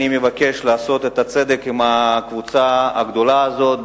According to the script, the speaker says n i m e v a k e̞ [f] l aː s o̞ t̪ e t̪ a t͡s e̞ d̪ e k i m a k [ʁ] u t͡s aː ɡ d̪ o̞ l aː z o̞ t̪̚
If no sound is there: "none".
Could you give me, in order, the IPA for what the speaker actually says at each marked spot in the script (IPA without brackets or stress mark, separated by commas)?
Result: ʃ, v